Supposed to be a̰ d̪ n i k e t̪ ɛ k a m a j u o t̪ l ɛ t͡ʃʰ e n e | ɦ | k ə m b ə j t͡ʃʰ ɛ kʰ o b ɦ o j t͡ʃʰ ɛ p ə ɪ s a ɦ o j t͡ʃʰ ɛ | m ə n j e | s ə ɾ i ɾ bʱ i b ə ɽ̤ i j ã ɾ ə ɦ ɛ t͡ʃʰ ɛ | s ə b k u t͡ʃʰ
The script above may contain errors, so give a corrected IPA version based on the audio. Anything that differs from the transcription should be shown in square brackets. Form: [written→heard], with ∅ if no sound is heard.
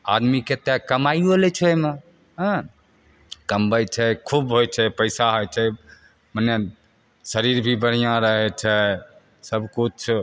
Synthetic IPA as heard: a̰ d̪ [n→m] i k e t̪ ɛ k [a→ə] m a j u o [t̪→∅] l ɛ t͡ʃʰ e [n→m] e | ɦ | k ə m b ə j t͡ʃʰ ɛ kʰ [o→u] b ɦ o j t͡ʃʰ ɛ p ə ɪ s a ɦ o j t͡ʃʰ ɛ | m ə n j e | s ə ɾ i ɾ bʱ i b ə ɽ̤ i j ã ɾ ə ɦ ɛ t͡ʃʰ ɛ | s ə b k u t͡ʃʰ